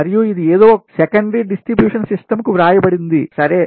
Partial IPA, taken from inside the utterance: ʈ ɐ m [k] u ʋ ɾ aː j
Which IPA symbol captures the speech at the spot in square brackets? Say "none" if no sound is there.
k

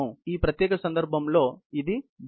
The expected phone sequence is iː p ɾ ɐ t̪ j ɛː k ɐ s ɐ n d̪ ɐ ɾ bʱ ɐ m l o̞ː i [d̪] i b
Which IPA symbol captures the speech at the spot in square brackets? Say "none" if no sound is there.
d̪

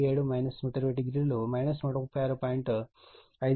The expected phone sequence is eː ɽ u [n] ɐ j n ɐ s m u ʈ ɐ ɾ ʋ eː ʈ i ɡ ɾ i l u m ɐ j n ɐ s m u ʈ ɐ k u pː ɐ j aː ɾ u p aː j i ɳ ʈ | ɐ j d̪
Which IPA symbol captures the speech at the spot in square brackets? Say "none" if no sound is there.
m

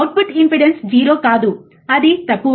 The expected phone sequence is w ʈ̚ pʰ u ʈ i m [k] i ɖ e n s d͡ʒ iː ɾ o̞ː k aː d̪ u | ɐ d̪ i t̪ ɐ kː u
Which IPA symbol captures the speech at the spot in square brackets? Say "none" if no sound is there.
p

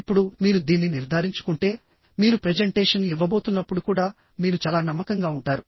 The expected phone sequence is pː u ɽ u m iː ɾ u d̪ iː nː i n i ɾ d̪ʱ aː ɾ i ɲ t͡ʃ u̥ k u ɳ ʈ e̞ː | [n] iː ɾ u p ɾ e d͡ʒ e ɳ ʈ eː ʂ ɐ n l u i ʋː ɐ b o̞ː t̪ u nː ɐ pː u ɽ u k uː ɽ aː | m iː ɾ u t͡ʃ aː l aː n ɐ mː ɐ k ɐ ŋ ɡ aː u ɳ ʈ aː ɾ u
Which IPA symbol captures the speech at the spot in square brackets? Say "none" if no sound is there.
m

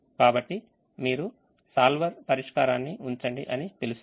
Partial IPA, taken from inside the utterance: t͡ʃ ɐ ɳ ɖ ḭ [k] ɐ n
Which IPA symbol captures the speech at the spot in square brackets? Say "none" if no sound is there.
ʔ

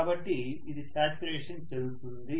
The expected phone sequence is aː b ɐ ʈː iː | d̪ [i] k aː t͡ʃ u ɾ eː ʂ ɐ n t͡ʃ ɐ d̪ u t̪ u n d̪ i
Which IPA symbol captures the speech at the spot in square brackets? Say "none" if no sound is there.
i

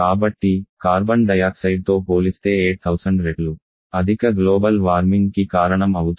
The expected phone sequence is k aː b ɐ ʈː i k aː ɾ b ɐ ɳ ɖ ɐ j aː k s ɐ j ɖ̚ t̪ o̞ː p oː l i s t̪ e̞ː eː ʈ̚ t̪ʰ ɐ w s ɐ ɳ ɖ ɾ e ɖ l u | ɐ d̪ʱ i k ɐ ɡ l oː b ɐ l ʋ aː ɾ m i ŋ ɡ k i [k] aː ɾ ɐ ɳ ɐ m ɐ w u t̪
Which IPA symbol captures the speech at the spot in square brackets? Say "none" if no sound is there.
k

